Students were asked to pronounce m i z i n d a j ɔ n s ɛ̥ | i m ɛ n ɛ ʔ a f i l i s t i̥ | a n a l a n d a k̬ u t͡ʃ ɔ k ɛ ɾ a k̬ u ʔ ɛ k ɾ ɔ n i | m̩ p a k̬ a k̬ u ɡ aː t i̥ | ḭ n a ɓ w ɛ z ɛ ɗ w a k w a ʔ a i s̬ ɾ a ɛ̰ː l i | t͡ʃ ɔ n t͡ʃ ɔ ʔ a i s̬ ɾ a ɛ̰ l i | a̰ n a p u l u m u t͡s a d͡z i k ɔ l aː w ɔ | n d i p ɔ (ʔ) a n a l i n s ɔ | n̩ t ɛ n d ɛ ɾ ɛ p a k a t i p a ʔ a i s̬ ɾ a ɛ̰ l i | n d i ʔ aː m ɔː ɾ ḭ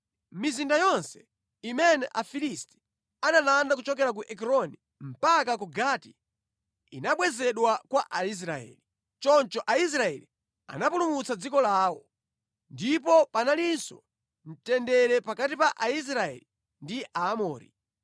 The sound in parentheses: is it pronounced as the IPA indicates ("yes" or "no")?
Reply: no